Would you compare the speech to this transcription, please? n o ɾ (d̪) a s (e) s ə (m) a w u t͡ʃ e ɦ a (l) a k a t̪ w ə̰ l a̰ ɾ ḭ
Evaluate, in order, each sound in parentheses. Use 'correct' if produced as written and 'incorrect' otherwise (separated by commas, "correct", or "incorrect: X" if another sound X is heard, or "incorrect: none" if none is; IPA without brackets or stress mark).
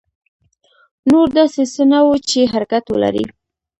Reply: correct, correct, incorrect: n, incorrect: ɾ